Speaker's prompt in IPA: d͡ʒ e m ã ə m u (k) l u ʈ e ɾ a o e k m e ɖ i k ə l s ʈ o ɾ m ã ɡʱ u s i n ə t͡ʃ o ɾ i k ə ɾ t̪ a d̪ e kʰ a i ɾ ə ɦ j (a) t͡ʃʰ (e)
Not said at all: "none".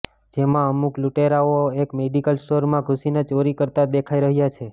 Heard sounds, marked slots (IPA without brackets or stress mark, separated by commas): k, a, e